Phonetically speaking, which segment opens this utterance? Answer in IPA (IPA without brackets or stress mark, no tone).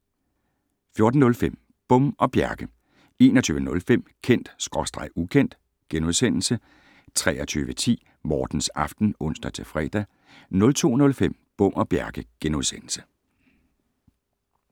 f